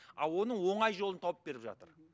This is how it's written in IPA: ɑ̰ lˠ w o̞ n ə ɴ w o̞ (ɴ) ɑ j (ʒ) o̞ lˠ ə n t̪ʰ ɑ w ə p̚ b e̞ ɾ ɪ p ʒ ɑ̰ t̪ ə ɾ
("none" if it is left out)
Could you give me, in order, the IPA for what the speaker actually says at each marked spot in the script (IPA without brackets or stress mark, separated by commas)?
ɴ, ʒ